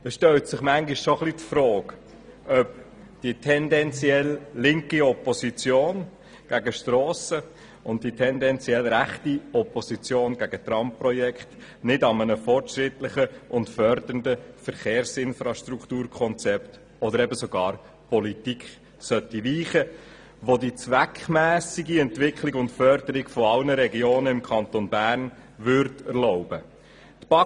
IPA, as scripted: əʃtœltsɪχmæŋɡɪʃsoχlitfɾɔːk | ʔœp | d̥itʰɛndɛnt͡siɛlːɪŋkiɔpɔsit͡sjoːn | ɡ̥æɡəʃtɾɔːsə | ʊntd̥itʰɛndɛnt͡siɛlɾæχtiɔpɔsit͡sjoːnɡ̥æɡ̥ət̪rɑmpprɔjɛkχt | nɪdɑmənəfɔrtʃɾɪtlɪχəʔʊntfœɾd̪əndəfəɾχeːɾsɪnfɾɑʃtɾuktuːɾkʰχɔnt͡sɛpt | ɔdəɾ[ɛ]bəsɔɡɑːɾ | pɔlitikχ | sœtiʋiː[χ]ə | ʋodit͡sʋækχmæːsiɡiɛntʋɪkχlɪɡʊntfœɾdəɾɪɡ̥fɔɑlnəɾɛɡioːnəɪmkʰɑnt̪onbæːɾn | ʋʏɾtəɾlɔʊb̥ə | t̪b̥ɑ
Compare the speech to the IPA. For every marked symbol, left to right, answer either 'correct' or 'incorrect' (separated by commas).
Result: correct, correct